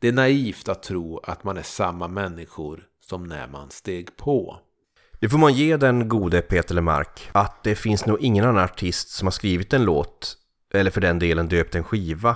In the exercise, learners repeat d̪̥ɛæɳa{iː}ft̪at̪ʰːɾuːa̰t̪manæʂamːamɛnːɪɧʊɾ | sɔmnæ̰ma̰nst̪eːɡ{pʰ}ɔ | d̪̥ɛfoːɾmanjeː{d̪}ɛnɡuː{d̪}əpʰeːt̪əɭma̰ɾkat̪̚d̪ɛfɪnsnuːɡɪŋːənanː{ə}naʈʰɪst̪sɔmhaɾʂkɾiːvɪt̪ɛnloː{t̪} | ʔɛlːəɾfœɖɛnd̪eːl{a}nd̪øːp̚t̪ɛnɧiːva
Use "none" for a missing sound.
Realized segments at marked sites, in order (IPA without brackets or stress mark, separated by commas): iː, pʰ, d̪, d̪, a, t̪, ə